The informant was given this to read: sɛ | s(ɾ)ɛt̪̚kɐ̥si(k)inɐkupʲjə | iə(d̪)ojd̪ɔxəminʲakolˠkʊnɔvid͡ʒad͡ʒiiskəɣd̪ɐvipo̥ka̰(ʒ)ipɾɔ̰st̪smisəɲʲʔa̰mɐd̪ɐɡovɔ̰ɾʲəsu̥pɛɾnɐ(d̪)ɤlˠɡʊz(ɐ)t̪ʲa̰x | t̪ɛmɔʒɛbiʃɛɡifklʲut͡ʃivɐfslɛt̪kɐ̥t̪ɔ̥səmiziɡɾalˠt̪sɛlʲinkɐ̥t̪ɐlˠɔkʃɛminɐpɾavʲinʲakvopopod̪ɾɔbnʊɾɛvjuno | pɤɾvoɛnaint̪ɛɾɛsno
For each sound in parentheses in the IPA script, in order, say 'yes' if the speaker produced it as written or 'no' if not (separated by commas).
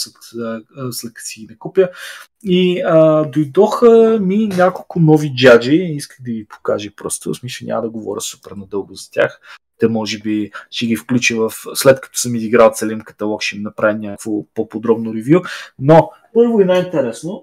no, no, yes, yes, yes, yes